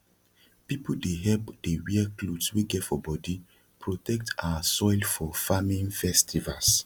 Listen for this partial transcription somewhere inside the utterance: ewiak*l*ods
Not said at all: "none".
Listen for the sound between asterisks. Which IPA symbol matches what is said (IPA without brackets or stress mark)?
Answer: l